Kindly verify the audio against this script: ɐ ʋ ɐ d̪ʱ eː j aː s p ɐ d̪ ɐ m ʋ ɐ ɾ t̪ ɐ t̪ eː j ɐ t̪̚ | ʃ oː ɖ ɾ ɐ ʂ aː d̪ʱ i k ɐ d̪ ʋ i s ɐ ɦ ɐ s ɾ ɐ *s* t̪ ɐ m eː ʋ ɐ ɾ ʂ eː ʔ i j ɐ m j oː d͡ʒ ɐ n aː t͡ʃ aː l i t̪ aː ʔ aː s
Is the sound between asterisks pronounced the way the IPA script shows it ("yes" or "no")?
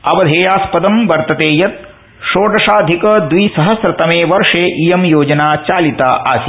no